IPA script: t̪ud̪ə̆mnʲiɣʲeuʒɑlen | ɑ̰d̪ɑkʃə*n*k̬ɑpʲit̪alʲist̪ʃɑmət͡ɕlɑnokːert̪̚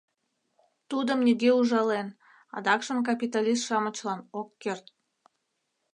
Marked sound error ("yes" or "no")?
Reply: yes